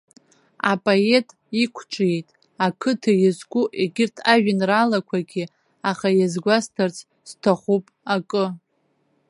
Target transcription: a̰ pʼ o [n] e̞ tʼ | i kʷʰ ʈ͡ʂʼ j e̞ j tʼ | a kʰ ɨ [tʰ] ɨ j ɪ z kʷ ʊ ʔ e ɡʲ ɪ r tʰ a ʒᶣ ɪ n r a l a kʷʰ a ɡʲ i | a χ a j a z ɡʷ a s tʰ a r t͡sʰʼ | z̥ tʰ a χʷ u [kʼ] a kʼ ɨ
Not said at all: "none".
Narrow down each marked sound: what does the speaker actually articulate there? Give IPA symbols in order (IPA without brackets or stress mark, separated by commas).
none, tʰ, pʼ